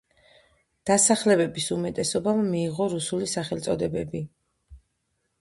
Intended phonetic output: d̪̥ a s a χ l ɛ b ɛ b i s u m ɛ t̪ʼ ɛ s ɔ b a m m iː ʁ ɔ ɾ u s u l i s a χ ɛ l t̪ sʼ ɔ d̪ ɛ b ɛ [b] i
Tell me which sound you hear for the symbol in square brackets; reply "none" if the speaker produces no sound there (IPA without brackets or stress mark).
b